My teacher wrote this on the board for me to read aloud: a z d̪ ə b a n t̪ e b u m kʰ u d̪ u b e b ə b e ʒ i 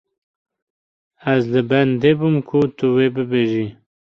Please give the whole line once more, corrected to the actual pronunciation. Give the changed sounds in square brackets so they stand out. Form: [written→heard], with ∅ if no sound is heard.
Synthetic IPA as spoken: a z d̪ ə b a n [t̪→d̪] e b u m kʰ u [d̪→t̪] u [b→w] e b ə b e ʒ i